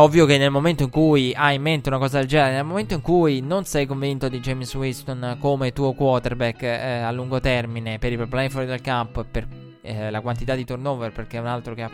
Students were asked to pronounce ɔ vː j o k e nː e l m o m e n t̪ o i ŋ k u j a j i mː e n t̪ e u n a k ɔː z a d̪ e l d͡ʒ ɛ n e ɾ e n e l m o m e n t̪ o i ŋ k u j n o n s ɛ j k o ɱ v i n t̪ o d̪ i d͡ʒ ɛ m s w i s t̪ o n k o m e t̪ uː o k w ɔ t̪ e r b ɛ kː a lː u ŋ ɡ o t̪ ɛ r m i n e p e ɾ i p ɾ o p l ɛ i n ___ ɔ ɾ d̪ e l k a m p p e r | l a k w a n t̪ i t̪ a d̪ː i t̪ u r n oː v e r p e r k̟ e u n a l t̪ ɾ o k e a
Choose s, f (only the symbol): f